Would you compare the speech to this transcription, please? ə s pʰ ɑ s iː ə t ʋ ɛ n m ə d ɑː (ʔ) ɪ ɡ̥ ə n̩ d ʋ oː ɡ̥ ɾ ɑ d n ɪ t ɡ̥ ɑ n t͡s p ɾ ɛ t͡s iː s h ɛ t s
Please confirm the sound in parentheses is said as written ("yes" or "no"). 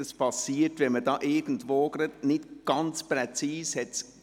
yes